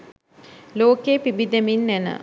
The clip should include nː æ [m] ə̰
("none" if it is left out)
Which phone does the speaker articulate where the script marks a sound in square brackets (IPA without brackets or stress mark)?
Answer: n